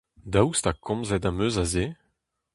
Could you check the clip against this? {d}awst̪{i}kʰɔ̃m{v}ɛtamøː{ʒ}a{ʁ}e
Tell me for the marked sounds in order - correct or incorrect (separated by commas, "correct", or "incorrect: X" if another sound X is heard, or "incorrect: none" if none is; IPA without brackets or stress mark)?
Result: correct, incorrect: a, incorrect: z, incorrect: z, incorrect: z